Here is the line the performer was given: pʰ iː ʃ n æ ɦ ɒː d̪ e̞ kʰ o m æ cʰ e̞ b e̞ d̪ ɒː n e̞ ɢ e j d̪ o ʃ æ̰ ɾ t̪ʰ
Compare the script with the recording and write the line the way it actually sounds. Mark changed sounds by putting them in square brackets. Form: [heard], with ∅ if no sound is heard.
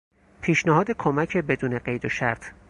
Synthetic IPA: pʰ iː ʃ n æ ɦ ɒː d̪ e̞ kʰ o m æ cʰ e̞ b e̞ d̪ [uː] n e̞ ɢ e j d̪ o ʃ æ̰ ɾ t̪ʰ